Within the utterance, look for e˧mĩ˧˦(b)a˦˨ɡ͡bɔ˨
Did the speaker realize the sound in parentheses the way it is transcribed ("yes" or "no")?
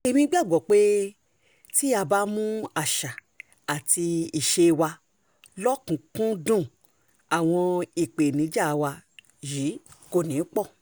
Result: no